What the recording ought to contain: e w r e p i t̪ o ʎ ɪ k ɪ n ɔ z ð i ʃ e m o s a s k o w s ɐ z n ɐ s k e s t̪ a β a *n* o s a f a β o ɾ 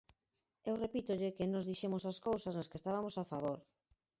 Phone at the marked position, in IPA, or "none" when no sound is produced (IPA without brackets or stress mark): m